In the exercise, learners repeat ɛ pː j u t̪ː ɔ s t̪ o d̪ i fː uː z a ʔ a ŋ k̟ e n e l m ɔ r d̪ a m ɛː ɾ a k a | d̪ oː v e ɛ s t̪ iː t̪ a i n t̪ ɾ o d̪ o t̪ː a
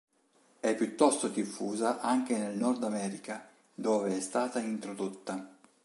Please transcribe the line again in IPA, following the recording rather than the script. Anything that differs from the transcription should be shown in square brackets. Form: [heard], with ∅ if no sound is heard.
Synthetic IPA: ɛ pː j u t̪ː ɔ s t̪ o d̪ i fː uː z a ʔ a ŋ k̟ e n e l [n] ɔ r d̪ a m ɛː ɾ [i] k a | d̪ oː v e ɛ s t̪ [aː] t̪ a i n t̪ ɾ o d̪ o t̪ː a